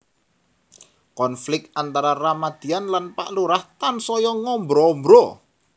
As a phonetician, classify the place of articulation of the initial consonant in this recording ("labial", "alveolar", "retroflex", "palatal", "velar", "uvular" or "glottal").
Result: velar